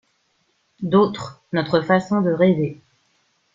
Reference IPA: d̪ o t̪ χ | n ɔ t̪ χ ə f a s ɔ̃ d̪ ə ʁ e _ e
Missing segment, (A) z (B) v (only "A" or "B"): B